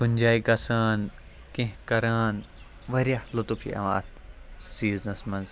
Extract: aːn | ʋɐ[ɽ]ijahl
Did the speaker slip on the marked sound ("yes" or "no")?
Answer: yes